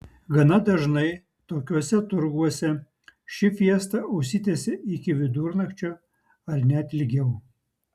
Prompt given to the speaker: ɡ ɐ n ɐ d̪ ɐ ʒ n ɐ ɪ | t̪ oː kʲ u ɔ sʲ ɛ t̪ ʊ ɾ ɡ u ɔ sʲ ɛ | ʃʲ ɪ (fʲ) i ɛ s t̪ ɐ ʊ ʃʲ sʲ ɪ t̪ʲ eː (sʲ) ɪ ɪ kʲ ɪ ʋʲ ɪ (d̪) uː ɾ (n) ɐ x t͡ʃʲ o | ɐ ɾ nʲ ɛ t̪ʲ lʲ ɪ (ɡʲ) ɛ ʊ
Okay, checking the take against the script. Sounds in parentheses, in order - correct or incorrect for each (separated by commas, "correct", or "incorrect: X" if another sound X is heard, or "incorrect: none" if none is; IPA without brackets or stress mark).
correct, correct, correct, correct, correct